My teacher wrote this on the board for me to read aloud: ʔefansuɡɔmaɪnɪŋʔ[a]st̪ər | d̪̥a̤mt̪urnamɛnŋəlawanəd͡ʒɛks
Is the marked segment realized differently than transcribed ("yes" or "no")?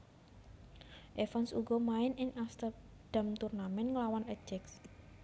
no